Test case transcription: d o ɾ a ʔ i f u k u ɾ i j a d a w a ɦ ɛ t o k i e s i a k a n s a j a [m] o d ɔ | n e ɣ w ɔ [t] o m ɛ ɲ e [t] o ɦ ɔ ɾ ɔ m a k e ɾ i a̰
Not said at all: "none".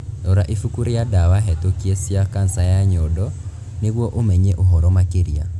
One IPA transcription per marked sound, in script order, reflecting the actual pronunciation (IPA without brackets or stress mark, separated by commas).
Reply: ɲ, ʔ, ʔ